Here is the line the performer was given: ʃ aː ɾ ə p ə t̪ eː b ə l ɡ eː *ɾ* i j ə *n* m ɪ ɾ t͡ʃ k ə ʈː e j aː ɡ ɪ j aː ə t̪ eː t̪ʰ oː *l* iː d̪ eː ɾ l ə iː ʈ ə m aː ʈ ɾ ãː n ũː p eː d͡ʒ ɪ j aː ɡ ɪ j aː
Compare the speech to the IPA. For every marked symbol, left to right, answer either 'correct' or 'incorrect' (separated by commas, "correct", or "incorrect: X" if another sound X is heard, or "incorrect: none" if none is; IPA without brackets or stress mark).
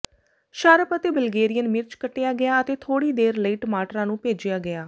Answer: correct, correct, incorrect: ɽ